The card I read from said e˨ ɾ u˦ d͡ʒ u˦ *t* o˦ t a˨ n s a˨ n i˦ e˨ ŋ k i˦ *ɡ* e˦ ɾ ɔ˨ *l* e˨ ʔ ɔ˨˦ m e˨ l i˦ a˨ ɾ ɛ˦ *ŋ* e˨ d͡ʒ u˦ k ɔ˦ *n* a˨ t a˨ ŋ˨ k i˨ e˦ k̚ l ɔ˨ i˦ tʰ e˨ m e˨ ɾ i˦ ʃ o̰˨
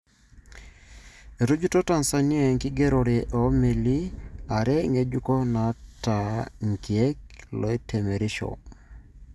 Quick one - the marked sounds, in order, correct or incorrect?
correct, correct, incorrect, correct, correct

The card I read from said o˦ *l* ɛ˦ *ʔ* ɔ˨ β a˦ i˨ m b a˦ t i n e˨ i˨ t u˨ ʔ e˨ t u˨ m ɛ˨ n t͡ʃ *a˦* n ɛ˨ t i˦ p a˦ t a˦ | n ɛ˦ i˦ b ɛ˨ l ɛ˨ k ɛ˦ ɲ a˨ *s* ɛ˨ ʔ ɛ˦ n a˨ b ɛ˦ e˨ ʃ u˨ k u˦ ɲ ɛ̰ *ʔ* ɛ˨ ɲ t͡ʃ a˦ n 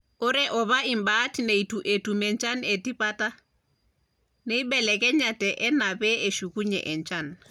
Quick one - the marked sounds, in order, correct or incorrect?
incorrect, correct, correct, incorrect, correct

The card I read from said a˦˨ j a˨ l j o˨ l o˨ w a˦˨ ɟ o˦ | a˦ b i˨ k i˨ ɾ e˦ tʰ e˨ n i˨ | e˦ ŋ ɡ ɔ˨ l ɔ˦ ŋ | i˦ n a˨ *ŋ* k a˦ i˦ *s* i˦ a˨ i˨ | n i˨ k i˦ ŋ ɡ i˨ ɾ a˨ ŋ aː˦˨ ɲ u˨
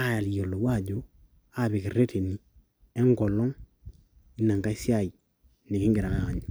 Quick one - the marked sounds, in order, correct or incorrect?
correct, correct

